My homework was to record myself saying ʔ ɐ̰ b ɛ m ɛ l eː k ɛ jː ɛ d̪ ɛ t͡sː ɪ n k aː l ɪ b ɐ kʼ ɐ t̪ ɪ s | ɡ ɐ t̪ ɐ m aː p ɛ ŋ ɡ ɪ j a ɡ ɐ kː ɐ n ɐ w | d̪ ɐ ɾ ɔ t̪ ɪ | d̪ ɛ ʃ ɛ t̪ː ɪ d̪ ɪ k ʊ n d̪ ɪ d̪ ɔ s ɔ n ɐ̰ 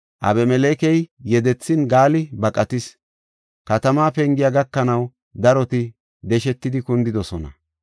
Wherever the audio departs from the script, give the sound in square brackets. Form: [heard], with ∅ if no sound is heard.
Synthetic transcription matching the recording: ʔ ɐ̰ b ɛ m ɛ l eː k ɛ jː ɛ d̪ ɛ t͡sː ɪ n [ɡ] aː l ɪ b ɐ kʼ ɐ t̪ ɪ s | [k] ɐ t̪ ɐ m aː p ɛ ŋ ɡ ɪ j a ɡ ɐ kː ɐ n ɐ w | d̪ ɐ ɾ ɔ t̪ ɪ | d̪ ɛ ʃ ɛ t̪ː ɪ d̪ ɪ k ʊ n d̪ ɪ d̪ ɔ s ɔ n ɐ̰